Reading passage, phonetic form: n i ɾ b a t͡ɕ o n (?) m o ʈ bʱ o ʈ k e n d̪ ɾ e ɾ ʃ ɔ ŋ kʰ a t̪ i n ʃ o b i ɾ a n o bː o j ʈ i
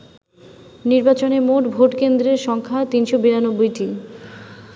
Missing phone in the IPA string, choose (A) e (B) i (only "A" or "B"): A